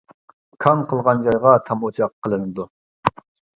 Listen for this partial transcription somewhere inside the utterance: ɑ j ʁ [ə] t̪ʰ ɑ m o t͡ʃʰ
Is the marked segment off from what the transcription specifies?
yes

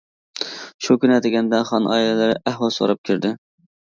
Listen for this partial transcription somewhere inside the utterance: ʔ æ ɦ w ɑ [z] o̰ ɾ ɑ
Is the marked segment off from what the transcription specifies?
yes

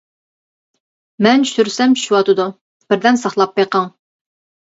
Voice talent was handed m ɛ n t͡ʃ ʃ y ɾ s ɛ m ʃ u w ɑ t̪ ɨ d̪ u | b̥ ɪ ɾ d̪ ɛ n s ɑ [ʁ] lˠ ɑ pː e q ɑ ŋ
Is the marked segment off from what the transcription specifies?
yes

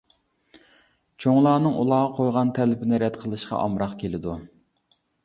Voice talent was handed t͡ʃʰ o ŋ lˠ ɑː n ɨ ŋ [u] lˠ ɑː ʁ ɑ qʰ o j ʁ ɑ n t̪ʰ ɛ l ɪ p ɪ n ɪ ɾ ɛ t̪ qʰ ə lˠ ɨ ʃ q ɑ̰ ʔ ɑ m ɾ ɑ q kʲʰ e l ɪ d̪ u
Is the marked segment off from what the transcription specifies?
no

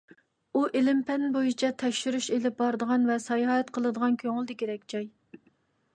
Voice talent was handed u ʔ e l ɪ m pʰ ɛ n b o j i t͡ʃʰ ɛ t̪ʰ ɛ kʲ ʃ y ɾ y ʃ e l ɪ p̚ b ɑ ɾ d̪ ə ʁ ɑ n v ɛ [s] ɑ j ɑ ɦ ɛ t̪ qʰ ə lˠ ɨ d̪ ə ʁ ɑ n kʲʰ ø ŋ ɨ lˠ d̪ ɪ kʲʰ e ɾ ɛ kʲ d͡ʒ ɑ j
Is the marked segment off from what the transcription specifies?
no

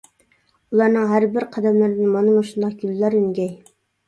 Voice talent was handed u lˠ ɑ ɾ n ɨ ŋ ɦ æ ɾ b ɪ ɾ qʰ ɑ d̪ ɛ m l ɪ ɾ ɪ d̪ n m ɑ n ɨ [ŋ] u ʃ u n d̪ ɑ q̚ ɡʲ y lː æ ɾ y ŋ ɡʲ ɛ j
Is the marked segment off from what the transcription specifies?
yes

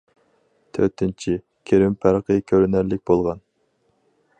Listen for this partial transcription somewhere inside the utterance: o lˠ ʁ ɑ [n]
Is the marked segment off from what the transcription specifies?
no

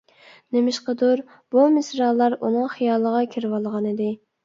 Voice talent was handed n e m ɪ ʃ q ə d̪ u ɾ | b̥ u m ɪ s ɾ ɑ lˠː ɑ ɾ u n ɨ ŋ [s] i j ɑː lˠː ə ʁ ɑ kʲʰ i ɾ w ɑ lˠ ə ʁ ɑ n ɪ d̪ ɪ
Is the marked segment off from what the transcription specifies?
yes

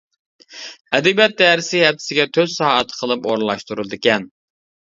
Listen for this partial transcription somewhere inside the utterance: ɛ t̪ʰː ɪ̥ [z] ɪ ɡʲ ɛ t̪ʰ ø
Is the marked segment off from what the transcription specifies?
yes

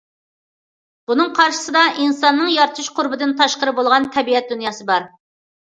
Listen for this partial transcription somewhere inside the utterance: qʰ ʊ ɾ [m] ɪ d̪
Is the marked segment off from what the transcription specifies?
yes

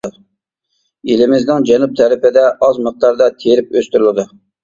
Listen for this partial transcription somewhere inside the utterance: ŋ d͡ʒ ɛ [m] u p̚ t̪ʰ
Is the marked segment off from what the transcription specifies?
yes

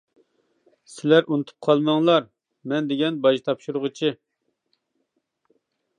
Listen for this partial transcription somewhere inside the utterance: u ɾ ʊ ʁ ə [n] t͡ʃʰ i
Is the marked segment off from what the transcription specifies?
yes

